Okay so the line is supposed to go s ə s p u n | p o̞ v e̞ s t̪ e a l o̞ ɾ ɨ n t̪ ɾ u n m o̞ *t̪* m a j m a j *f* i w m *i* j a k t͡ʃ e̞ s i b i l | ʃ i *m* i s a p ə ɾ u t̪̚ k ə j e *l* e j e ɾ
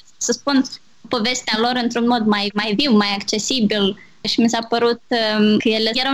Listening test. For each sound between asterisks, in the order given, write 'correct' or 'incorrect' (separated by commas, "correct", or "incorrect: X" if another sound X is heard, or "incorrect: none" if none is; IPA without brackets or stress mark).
incorrect: d̪, incorrect: v, incorrect: a, correct, correct